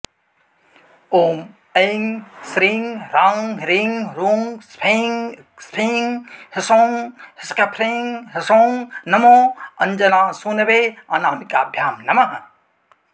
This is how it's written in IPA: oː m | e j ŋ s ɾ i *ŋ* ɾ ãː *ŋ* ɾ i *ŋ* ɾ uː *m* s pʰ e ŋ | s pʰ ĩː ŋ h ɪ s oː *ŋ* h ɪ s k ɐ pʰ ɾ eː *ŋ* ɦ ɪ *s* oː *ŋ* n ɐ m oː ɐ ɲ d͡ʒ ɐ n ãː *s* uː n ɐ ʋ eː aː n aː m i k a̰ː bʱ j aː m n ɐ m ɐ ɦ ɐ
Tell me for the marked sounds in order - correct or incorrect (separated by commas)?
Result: correct, correct, correct, incorrect, correct, correct, correct, correct, correct